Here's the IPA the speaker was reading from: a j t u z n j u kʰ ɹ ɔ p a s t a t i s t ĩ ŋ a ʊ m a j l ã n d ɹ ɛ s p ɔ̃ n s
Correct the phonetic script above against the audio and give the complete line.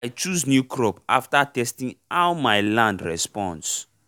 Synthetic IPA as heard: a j t͡ʃ u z n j u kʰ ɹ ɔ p a f t a t ɛ s t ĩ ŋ a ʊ m a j l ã n d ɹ ɛ s p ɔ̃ n s